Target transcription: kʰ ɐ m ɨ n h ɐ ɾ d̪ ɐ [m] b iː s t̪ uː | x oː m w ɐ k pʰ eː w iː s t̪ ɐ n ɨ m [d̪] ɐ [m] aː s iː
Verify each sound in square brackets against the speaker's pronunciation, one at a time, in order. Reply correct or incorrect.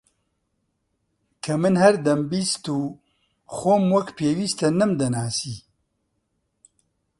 correct, correct, incorrect: n

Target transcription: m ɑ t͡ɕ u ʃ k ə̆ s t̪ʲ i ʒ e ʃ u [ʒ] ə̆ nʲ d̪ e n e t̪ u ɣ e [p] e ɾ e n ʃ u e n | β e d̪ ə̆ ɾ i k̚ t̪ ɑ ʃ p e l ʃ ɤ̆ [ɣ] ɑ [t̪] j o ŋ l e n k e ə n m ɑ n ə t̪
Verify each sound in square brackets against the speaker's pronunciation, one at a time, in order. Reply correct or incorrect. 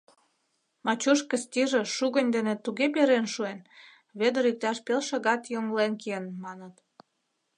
incorrect: ɣ, correct, correct, correct

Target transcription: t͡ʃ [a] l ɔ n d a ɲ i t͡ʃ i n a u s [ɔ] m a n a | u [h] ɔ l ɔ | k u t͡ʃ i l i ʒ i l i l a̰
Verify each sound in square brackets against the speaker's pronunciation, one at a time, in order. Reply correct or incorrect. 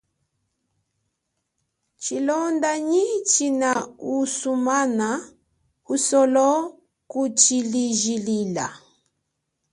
incorrect: i, incorrect: u, incorrect: s

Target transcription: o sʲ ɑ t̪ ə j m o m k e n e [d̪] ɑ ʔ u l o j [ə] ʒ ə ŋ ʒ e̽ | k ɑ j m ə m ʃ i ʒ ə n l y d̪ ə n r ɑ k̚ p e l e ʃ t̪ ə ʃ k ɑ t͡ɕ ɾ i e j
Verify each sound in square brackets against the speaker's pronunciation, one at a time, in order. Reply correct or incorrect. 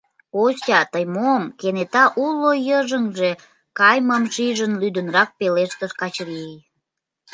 incorrect: t̪, correct

